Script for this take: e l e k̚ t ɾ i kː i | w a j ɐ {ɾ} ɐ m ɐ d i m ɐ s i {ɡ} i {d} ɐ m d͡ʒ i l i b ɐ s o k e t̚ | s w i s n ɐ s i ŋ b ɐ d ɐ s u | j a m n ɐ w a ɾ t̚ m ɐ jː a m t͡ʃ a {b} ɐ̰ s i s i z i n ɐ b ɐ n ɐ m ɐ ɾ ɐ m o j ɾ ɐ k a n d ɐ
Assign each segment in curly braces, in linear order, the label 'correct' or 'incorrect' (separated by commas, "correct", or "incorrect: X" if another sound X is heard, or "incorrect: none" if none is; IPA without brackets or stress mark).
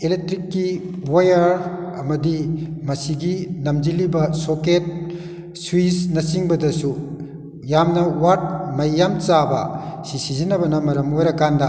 correct, correct, incorrect: n, correct